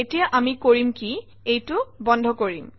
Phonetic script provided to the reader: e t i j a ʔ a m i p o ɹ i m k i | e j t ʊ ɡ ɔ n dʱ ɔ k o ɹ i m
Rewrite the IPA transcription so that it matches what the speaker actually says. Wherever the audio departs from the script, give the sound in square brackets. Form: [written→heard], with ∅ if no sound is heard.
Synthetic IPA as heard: e t i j a ʔ a m i [p→k] o ɹ i m k i | e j t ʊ [ɡ→b] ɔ n dʱ ɔ k o ɹ i m